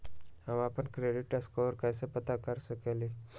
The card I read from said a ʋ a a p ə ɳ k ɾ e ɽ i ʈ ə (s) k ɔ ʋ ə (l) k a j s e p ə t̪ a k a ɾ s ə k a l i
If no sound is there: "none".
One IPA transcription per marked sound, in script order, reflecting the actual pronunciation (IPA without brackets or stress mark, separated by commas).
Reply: s, ɾ